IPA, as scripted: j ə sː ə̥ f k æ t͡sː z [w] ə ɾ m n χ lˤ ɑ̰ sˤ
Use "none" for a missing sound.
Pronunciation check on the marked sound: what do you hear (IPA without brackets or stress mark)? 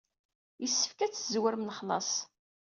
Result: w